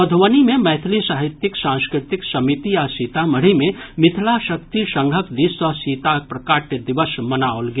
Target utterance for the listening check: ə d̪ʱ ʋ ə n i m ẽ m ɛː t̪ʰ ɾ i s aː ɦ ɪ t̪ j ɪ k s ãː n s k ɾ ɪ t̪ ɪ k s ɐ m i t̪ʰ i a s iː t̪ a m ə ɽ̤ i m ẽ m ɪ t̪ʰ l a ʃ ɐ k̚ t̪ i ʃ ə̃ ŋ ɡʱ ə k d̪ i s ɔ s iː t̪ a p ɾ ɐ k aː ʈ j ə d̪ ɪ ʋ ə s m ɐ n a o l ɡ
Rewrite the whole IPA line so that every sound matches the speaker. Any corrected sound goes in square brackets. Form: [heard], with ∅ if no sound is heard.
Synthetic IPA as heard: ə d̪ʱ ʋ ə n i m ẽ m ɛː t̪ʰ [l] i s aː ɦ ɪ t̪ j ɪ k s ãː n s k ɾ ɪ t̪ ɪ k s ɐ m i [t̪] i a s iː t̪ a m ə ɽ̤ i m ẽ m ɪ t̪ʰ l a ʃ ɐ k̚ t̪ i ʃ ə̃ ŋ ɡʱ ə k d̪ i s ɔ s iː t̪ a p ɾ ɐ k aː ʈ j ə d̪ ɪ ʋ ə s m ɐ n a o l ɡ